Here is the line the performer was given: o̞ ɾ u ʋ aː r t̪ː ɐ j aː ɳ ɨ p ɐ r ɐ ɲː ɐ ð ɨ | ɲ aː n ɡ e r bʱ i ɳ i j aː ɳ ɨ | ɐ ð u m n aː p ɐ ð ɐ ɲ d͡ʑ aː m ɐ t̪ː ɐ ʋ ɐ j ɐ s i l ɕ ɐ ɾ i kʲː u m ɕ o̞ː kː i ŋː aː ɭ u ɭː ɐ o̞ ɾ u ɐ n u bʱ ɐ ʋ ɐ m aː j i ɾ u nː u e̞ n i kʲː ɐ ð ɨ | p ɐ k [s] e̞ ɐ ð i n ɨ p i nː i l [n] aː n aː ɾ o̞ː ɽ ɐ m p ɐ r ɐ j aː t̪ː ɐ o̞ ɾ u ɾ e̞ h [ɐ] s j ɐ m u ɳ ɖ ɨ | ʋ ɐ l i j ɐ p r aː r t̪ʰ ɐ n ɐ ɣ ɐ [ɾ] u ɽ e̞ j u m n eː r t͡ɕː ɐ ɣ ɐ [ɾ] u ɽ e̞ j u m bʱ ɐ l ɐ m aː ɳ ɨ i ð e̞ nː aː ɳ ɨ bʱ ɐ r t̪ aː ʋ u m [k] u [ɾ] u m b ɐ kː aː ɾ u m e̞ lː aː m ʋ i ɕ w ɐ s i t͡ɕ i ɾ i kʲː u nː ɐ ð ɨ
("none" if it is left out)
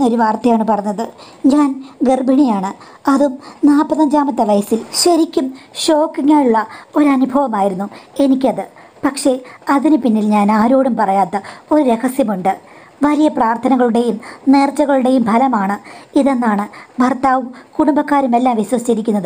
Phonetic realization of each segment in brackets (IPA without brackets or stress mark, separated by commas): ʂ, ɲ, ɐ, ɭ, ɭ, k, ɽ